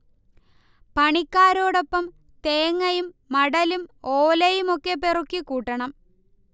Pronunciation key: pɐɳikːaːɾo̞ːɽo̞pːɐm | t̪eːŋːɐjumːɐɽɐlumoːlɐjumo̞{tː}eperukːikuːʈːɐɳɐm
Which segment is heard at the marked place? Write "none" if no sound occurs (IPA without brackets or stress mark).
kː